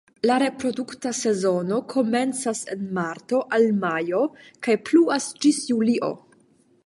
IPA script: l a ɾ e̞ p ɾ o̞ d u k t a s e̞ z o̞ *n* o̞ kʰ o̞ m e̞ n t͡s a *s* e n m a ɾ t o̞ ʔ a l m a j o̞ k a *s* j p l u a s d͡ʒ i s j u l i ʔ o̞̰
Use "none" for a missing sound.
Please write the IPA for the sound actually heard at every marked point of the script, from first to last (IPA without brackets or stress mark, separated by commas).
n, s, none